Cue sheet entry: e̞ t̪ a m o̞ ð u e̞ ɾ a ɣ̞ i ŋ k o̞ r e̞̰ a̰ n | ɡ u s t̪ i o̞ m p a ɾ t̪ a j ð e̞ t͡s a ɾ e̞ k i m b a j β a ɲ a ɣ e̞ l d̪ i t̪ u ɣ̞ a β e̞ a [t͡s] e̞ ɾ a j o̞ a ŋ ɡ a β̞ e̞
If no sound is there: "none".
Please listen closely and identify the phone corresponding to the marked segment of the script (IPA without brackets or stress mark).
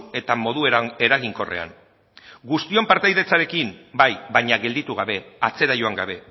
t͡s